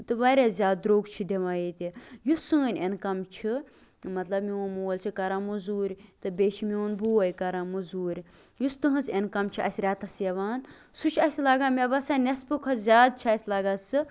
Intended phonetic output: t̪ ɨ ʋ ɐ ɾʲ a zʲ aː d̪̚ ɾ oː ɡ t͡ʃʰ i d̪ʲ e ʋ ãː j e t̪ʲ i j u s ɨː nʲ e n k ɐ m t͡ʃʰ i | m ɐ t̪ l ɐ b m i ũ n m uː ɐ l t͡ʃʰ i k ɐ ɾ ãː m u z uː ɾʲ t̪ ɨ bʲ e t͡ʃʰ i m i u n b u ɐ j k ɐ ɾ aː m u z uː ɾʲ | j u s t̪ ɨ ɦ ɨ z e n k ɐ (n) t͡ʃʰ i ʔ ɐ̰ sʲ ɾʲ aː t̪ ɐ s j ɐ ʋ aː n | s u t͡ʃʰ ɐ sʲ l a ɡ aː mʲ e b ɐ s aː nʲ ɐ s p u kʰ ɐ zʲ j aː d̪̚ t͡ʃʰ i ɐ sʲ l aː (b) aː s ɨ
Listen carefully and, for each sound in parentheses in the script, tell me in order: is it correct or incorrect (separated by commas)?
incorrect, incorrect